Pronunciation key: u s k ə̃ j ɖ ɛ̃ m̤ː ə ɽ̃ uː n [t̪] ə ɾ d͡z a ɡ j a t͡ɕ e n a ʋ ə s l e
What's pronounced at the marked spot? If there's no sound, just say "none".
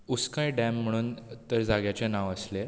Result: t̪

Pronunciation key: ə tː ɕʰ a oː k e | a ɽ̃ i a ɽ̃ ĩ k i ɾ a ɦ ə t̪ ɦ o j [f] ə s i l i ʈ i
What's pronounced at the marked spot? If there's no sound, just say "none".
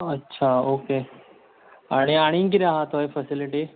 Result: f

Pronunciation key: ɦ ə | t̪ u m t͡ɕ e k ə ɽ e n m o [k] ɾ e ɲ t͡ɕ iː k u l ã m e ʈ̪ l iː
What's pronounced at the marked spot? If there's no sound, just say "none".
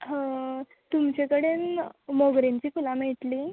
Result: ɡ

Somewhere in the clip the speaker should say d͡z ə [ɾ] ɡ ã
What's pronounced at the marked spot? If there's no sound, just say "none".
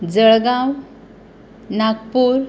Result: ɭ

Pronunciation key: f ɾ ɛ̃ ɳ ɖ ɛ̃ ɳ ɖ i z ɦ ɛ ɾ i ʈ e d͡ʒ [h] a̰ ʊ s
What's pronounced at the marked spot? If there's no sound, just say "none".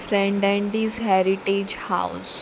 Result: h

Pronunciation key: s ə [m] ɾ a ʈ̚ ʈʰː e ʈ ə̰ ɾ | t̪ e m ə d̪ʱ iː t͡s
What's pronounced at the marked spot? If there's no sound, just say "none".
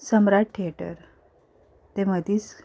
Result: m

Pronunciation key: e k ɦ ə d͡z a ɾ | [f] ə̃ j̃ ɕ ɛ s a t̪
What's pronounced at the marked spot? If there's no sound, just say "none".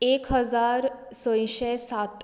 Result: s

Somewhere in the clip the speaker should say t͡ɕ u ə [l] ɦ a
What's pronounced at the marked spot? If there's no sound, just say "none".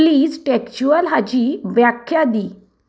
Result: l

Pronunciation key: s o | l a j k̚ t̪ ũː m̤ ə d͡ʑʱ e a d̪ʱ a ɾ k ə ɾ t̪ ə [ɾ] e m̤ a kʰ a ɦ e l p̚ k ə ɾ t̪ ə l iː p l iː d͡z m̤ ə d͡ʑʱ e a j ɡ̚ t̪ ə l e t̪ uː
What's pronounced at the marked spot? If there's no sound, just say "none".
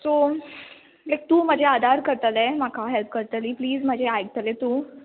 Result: l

